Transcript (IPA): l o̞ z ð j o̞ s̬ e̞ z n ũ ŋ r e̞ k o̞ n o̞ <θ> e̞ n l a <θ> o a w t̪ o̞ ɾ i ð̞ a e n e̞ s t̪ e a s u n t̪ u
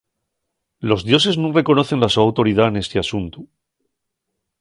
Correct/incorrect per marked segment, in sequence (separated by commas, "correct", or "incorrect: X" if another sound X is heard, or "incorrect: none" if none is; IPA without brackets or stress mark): correct, incorrect: s